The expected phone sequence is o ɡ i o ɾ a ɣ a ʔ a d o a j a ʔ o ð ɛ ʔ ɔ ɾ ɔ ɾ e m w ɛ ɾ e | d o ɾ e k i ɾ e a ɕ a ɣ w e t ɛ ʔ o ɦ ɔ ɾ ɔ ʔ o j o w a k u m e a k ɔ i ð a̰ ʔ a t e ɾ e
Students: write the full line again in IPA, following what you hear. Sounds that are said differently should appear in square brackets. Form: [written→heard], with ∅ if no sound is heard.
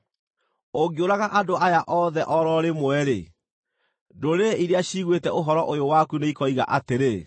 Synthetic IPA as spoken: o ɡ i o ɾ a ɣ a ʔ a d o a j a ʔ [o→ɔ] ð ɛ ʔ ɔ ɾ ɔ ɾ e m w ɛ ɾ e | d o ɾ e [k→∅] i ɾ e a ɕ [a→i] ɣ w e t ɛ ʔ o ɦ ɔ ɾ ɔ ʔ o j o w a k u [m→n] e [a→i] k ɔ i [ð→ɣ] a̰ ʔ a t e ɾ e